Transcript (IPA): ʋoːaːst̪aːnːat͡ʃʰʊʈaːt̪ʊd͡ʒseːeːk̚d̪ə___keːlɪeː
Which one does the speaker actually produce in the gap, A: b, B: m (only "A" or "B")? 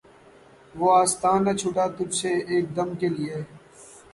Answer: B